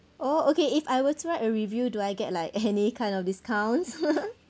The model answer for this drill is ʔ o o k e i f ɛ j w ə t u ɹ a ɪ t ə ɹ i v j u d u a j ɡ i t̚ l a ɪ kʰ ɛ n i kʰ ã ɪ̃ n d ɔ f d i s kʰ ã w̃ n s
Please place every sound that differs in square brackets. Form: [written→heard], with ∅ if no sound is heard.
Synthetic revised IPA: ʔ o o k e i f [ɛ→a] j w ə t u ɹ a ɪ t ə ɹ i v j u d u a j ɡ [i→ɛ] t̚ l a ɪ [kʰ→k] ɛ n i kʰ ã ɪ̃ n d ɔ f d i s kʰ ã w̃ n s